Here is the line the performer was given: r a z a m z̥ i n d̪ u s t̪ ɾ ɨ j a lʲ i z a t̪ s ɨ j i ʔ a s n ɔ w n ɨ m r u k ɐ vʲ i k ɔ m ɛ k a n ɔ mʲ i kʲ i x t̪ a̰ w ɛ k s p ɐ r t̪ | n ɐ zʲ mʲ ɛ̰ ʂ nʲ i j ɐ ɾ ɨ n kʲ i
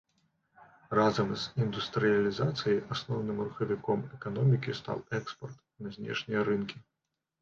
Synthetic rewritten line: r a z ɐ m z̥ i n d̪ u s t̪ ɾ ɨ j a lʲ i z a t̪ s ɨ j i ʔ a s n ɔ w n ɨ m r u x ɐ vʲ i k ɔ m ɛ k a n ɔ mʲ i kʲ i s t̪ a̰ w ɛ k s p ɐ r t̪ | n ɐ zʲ nʲ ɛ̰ ʂ nʲ i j ɐ ɾ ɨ n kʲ i